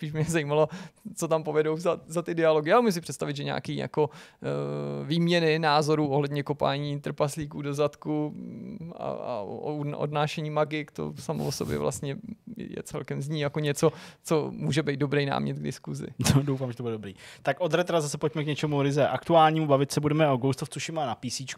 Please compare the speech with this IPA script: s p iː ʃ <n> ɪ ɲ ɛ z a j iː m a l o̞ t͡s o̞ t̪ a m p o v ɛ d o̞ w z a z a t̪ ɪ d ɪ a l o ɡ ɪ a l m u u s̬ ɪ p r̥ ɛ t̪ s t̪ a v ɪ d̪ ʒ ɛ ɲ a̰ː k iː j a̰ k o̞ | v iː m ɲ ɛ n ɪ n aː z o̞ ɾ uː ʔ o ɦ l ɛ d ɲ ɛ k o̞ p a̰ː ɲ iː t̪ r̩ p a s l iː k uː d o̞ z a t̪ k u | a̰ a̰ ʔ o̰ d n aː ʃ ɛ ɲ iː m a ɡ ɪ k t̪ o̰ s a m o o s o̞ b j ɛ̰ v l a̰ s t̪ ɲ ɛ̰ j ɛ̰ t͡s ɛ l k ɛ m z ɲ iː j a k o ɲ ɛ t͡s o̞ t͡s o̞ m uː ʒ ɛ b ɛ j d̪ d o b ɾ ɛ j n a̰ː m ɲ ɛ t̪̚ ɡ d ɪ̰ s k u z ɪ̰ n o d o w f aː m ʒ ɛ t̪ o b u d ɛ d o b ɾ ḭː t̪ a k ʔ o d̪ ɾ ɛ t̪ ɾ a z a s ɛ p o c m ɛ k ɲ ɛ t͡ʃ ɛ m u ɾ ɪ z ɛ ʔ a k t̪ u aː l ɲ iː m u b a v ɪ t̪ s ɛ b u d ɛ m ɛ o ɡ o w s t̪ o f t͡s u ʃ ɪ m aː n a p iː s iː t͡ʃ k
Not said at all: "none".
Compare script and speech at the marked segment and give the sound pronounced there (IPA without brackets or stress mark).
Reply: m